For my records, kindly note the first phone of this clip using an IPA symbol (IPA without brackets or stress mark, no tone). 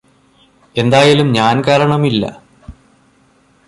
e̞